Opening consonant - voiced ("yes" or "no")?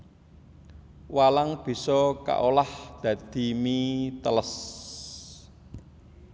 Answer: yes